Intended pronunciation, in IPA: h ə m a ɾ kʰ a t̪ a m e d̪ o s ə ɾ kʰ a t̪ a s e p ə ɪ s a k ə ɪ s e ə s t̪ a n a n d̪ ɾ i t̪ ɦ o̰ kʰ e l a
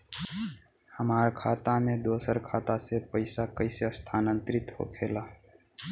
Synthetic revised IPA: h ə m a ɾ kʰ a t̪ a m e d̪ o s ə ɾ kʰ a t̪ a s e p ə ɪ s a k ə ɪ s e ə s t̪ʰ a n ə n t̪ ɾ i t̪ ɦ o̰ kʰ e l a